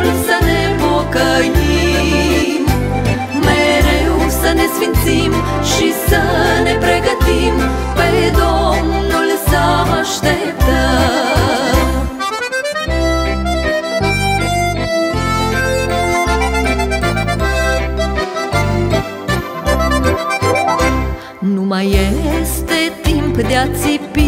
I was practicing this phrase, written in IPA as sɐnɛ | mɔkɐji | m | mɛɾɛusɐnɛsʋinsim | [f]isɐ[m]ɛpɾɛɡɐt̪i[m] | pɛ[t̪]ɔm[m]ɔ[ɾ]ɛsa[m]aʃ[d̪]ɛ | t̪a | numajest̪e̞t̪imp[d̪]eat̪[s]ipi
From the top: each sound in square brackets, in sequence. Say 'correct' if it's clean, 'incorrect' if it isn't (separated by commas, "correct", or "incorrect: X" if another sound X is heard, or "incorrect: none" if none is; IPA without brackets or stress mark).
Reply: incorrect: ʃ, incorrect: n, correct, incorrect: d̪, incorrect: n, incorrect: l, correct, incorrect: t̪, correct, correct